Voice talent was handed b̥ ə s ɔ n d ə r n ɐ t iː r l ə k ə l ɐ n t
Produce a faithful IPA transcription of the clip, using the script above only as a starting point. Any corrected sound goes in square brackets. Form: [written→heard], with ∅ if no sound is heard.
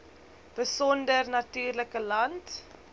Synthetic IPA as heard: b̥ ə s ɔ n d ə r n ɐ t [iː→yː] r l ə k ə l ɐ n t